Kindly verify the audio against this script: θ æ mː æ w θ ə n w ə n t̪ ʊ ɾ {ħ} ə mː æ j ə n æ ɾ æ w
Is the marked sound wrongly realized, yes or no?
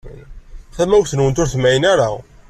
yes